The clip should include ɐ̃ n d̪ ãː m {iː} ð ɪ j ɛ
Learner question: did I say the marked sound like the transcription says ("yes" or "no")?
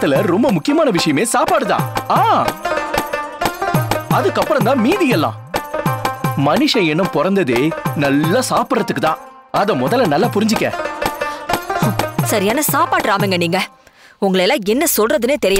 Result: yes